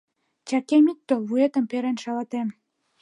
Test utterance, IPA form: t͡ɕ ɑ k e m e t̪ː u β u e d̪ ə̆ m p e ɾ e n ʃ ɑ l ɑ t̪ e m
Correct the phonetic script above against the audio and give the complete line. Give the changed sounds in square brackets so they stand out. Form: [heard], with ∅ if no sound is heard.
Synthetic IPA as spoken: t͡ɕ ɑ k e m [i] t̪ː [o] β u e [t̪] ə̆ m p e ɾ e n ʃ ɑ l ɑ t̪ e m